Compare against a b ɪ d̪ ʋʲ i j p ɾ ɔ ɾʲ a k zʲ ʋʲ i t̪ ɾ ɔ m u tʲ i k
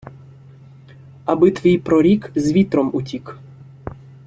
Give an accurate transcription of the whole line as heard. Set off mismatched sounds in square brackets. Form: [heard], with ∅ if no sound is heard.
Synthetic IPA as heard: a b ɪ [t̪] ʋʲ i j p ɾ ɔ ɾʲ [i] k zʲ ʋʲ i t̪ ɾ ɔ m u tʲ i k